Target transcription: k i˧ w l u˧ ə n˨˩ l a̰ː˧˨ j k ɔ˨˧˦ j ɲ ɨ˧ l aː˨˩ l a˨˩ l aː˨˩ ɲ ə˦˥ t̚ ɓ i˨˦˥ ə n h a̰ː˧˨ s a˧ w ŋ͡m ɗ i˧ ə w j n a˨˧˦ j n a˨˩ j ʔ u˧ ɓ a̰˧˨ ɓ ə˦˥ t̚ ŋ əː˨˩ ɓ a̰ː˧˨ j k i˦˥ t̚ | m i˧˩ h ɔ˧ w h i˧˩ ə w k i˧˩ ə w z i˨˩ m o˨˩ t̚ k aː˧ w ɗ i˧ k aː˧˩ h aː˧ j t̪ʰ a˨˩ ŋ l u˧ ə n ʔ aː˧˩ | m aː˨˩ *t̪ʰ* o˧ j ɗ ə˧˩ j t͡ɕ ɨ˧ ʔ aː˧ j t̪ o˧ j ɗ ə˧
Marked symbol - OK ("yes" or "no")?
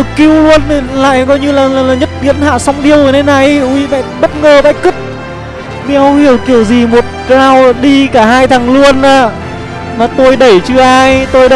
no